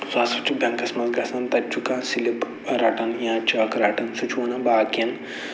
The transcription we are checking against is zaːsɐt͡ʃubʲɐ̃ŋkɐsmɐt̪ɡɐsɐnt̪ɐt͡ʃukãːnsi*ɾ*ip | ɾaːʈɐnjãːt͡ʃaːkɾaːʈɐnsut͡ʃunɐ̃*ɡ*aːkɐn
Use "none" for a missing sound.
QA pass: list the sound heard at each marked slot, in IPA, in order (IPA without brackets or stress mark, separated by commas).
l, b